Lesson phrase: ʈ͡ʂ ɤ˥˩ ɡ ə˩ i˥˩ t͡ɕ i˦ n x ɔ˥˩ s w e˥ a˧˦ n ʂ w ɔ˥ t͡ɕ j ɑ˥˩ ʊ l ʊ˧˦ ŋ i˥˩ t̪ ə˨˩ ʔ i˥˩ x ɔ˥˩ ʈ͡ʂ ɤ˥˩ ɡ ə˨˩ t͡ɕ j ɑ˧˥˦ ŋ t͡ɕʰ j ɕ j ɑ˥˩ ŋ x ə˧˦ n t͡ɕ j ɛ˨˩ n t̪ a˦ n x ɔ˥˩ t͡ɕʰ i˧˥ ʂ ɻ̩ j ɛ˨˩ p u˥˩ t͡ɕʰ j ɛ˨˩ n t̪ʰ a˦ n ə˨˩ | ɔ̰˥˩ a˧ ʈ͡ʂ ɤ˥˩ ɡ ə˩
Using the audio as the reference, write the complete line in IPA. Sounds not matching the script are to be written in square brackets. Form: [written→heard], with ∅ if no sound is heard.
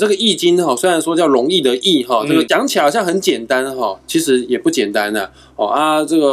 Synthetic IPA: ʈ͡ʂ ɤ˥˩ ɡ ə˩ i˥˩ t͡ɕ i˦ n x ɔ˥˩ s w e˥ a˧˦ n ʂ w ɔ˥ t͡ɕ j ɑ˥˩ ʊ l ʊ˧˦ ŋ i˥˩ [t̪→d̪] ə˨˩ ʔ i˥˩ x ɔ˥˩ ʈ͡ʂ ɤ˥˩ ɡ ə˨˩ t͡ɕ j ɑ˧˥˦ ŋ t͡ɕʰ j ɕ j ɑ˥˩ ŋ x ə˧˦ n t͡ɕ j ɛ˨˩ n t̪ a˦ n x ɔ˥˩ t͡ɕʰ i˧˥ ʂ ɻ̩ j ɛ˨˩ p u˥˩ [t͡ɕʰ→t͡ɕ] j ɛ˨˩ n [t̪ʰ→t̪] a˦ n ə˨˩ | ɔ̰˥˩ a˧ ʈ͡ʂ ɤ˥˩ ɡ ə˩